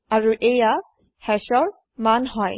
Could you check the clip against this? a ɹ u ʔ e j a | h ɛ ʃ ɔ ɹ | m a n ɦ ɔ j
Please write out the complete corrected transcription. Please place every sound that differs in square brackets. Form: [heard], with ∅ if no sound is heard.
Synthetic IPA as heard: a ɹ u ʔ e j a | h ɛ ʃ ɔ ɹ | m a n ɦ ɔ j